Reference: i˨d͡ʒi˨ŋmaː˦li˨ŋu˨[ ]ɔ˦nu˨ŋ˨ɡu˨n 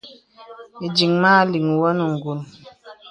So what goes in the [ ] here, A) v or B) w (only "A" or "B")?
B